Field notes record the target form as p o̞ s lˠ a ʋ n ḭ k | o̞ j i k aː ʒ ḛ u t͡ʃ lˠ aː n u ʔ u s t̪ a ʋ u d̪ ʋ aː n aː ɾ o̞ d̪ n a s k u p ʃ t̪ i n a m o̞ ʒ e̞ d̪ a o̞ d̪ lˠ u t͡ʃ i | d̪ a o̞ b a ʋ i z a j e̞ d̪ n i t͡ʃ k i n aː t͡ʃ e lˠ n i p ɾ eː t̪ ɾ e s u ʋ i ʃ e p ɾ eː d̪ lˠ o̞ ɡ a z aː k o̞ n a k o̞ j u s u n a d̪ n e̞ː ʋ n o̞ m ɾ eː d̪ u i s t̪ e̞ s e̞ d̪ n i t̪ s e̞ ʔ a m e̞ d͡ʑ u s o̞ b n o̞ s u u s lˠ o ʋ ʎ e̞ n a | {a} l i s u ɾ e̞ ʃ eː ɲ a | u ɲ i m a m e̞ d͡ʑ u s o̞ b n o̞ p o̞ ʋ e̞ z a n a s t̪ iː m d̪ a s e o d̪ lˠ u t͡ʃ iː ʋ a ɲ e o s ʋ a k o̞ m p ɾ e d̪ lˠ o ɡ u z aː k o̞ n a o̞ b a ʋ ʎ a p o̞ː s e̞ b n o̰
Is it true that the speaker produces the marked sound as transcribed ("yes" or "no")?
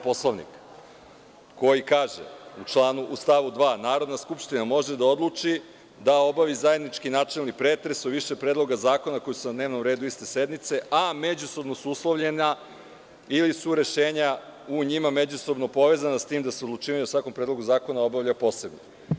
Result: no